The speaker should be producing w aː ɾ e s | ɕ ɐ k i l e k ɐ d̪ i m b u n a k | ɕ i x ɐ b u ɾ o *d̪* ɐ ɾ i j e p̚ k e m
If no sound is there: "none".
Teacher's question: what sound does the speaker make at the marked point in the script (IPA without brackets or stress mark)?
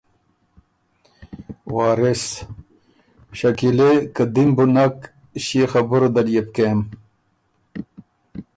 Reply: d̪